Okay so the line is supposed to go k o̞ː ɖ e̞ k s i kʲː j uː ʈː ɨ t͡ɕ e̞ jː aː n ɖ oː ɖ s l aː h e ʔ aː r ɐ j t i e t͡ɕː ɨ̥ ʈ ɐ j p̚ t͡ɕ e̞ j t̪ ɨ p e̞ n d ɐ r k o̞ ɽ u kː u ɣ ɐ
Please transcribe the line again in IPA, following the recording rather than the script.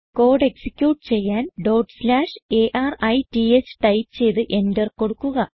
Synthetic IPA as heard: k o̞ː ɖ e̞ k s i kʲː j uː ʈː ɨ t͡ɕ e̞ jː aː n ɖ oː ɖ s l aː ʂ e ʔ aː r ɐ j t i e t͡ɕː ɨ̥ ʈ ɐ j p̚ t͡ɕ e̞ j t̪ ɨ ʔ e̞ n d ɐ r k o̞ ɽ u kː u ɣ ɐ

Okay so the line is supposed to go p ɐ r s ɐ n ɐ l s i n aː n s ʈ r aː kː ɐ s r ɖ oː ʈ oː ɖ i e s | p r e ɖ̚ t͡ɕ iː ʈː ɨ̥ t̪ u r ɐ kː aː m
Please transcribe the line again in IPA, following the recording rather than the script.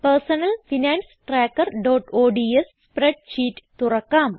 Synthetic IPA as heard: p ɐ r s ɐ n ɐ l f i n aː n s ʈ r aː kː ɐ r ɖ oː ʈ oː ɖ i e s | p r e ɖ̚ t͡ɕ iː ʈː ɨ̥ t̪ u r ɐ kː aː m

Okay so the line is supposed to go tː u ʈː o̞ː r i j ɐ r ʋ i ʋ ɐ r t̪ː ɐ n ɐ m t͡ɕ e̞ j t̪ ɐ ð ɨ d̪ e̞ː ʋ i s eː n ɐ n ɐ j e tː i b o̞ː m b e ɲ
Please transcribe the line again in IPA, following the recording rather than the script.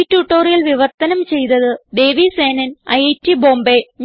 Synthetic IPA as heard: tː u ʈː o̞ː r i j ɐ l ʋ i ʋ ɐ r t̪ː ɐ n ɐ m t͡ɕ e̞ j t̪ ɐ ð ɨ d̪ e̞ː ʋ i s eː n ɐ n ɐ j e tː i b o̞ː m b e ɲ

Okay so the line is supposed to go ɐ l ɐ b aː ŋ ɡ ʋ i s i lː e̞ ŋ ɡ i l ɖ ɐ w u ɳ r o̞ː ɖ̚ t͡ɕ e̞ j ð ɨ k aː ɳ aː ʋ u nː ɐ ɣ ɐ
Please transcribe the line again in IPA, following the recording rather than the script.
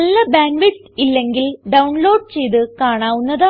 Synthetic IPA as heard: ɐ lː ɐ b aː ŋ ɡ ʋ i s i lː e̞ ŋ ɡ i l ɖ ɐ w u ɳ l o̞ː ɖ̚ t͡ɕ e̞ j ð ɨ k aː ɳ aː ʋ u nː ɐ ð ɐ

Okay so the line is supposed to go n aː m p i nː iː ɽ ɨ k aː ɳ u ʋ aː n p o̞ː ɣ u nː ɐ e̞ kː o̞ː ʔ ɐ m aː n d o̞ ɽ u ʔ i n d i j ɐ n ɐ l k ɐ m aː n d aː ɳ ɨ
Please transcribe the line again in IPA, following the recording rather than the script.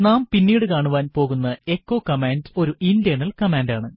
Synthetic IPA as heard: n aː m p i nː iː ɽ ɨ k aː ɳ u ʋ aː n p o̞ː ɣ u nː ɐ e̞ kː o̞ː k ɐ m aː n d o̞ ɾ u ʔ i n d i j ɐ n ɐ l k ɐ m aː n d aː ɳ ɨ

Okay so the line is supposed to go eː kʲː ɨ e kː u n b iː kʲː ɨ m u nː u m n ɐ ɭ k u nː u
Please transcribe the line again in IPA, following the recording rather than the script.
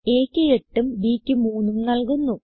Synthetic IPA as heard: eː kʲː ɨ e ʈː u m b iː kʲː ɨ m uː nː u m n ɐ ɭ k u nː u

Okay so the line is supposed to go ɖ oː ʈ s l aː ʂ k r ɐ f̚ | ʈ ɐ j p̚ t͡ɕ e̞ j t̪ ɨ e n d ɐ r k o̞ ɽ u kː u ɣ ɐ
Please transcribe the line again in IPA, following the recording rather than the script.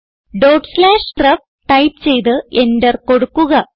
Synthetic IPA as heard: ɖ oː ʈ s l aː ʂ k r ɐ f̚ | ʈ ɐ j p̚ t͡ɕ e̞ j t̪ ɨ e n d ɐ r k o̞ ɽ u kː u ɣ ɐ

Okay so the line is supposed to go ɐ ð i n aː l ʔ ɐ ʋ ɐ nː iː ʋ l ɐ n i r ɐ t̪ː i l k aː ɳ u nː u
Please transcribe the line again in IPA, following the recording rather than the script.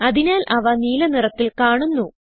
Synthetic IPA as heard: ɐ ð i n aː l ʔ ɐ ʋ ɐ n iː l ɐ n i r ɐ t̪ː i l k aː ɳ u nː u

